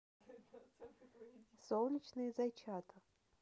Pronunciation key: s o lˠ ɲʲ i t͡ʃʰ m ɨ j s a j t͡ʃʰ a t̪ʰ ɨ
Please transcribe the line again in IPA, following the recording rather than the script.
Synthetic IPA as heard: s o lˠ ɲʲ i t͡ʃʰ n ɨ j z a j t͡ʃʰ a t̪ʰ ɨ